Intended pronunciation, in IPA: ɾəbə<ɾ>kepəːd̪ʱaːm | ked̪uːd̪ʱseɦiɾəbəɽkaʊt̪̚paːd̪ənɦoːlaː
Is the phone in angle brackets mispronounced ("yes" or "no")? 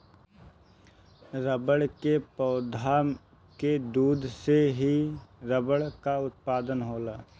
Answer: yes